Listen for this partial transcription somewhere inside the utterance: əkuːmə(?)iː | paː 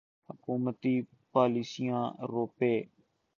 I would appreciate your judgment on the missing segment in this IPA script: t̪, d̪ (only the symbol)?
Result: t̪